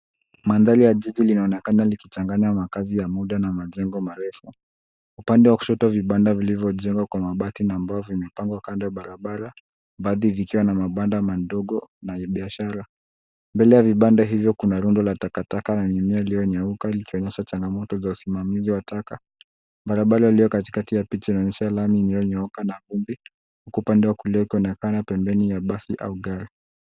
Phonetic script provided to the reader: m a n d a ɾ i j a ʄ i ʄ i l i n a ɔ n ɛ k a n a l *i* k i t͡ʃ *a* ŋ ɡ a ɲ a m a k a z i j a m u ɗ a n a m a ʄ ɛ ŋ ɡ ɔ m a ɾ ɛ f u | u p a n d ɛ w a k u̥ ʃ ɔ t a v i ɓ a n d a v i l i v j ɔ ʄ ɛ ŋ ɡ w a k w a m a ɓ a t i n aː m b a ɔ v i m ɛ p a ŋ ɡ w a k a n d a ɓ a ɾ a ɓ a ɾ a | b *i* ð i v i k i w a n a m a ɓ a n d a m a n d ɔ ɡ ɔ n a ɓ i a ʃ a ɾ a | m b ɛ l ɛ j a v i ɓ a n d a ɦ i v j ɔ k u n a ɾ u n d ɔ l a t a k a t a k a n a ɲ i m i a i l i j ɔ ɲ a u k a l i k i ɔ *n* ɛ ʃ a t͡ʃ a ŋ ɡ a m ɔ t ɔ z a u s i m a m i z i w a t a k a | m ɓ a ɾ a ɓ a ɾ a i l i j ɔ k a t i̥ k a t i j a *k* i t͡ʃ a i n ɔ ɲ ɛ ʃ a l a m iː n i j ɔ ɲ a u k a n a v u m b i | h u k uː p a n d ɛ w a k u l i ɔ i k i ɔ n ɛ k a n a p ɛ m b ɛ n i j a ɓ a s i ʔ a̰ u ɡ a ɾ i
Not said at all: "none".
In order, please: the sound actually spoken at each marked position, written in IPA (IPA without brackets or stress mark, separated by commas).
i, a, a, ɲ, p